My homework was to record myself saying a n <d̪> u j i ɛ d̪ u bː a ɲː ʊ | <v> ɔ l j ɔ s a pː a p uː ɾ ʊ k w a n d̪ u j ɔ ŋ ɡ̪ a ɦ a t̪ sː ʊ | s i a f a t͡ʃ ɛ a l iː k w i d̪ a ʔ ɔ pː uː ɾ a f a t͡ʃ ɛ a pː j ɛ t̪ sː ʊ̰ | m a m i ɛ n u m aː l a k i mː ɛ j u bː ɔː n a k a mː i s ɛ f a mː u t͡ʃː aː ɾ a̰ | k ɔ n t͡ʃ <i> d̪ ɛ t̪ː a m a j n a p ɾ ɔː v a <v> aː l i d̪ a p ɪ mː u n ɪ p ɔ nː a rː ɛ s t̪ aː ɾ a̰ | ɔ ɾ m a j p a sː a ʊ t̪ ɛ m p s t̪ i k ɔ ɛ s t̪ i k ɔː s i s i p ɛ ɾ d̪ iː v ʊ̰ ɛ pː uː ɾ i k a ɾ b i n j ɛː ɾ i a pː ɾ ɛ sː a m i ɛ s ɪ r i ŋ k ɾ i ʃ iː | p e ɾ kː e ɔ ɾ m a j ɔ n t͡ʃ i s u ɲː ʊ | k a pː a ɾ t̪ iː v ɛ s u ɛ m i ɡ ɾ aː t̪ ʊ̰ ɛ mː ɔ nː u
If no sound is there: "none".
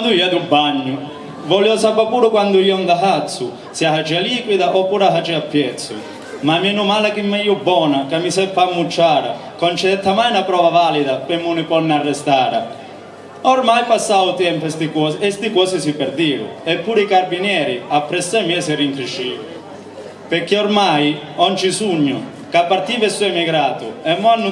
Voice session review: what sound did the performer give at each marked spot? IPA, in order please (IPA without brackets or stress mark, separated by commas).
d̪, v, ɛ, v